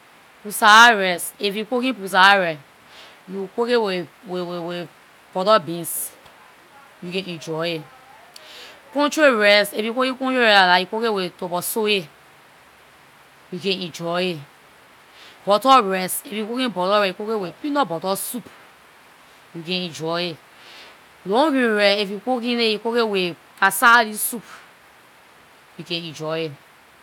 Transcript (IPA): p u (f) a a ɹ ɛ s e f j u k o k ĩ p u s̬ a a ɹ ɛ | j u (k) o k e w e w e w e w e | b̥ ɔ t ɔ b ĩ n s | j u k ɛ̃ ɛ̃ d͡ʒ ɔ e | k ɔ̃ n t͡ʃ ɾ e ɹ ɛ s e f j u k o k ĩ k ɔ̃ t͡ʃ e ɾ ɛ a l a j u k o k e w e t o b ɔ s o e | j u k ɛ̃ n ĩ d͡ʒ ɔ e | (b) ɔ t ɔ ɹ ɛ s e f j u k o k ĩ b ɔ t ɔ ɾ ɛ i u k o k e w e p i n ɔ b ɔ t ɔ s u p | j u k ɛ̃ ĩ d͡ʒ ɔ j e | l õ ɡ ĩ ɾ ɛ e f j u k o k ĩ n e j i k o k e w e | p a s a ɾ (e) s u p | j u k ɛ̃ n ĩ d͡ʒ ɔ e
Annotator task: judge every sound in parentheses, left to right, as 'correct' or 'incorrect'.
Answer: incorrect, correct, correct, incorrect

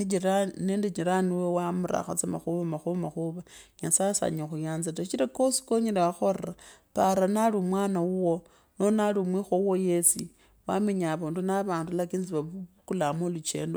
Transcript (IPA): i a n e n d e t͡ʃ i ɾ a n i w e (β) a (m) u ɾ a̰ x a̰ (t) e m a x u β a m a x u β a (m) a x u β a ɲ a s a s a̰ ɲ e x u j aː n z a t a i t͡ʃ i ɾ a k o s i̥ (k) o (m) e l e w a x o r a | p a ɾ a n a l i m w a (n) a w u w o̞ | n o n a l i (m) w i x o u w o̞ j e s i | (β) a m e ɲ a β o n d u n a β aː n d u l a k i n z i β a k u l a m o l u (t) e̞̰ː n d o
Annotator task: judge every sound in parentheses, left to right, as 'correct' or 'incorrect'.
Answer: incorrect, correct, incorrect, correct, correct, incorrect, correct, correct, incorrect, incorrect

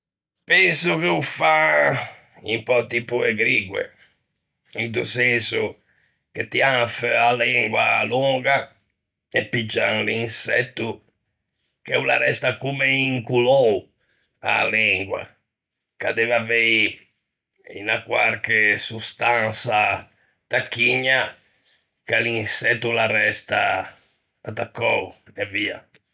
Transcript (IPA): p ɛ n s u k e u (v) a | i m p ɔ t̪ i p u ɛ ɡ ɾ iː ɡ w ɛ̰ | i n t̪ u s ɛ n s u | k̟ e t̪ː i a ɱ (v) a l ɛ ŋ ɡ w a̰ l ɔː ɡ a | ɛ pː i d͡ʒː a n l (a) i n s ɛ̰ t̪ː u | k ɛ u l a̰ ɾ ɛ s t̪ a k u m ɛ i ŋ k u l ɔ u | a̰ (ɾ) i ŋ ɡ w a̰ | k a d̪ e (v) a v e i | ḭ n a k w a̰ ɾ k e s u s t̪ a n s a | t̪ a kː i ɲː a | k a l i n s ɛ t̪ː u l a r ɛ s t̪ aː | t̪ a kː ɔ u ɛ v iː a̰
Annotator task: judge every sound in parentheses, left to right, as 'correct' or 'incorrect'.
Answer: incorrect, incorrect, incorrect, incorrect, correct

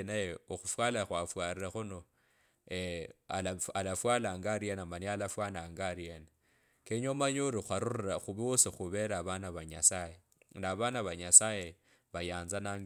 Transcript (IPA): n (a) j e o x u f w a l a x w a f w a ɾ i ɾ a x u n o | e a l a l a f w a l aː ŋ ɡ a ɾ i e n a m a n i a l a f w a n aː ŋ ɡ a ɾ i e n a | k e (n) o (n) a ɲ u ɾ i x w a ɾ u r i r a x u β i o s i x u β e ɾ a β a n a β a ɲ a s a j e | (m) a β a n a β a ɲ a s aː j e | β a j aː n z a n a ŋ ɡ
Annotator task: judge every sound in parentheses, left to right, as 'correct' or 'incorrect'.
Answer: correct, incorrect, incorrect, incorrect

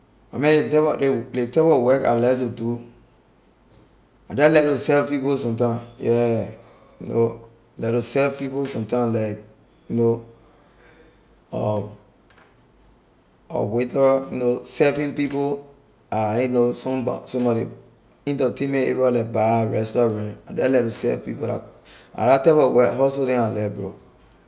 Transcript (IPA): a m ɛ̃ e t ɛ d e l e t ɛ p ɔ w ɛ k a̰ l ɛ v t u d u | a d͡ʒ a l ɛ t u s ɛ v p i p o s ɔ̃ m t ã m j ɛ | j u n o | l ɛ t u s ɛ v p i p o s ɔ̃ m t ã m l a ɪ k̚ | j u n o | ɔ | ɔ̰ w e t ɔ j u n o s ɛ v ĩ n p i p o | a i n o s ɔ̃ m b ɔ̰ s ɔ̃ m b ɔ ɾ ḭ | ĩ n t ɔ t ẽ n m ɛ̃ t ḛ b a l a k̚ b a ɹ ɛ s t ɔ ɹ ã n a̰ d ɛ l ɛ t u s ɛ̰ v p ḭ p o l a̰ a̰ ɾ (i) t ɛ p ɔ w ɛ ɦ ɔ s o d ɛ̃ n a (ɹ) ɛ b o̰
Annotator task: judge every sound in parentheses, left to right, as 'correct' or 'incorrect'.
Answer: incorrect, incorrect

